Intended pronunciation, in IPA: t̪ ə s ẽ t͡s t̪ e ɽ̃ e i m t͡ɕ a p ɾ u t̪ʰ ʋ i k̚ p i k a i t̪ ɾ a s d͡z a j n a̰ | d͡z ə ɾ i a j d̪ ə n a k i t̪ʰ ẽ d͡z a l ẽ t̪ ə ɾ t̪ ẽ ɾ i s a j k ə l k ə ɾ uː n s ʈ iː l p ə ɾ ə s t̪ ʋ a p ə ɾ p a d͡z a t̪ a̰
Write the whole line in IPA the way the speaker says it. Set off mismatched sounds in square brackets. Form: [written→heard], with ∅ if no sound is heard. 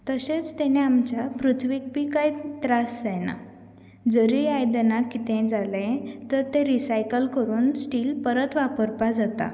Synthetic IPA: t̪ ə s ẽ t͡s t̪ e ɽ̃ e [i→a] m t͡ɕ a p ɾ u t̪ʰ ʋ i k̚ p i k a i t̪ ɾ a s d͡z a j n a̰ | d͡z ə ɾ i a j d̪ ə n a k i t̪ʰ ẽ d͡z a l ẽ t̪ ə ɾ t̪ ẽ ɾ i s a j k ə l k ə ɾ uː n s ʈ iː l p ə ɾ ə [s→∅] t̪ ʋ a p ə ɾ p a d͡z a t̪ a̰